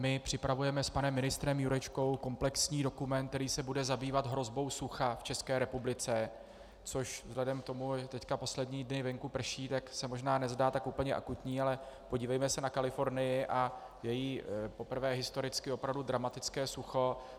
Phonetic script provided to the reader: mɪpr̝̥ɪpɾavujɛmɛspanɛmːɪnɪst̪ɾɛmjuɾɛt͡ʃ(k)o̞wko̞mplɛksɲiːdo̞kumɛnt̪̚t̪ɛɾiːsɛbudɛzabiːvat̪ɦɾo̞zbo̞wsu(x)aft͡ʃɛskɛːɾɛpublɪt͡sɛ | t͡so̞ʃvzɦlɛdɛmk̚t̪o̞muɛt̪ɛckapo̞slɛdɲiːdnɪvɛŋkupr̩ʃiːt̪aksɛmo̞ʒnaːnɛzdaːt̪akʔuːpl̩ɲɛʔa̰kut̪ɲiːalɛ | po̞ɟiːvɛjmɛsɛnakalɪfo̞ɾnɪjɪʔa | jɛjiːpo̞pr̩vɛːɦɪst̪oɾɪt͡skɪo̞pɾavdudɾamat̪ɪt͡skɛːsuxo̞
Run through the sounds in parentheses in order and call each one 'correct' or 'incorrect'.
correct, correct

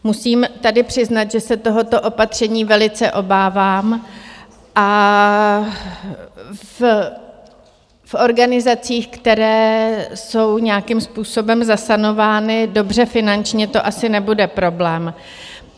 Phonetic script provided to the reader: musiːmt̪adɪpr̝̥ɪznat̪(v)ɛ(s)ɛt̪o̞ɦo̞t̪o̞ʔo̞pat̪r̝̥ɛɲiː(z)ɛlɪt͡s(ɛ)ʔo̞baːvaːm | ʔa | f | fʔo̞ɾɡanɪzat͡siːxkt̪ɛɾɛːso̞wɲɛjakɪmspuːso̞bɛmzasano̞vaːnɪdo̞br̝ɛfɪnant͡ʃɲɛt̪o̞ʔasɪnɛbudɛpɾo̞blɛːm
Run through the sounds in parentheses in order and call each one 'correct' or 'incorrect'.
incorrect, correct, incorrect, correct

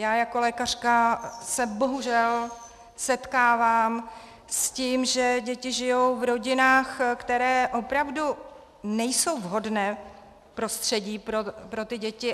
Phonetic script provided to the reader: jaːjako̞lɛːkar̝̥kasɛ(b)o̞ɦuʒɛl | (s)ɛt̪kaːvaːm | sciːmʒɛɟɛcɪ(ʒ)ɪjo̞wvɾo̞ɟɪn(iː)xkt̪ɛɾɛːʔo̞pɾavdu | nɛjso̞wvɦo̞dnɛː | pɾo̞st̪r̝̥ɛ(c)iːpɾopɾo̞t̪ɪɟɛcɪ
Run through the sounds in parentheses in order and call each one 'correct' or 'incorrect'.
correct, correct, correct, incorrect, incorrect

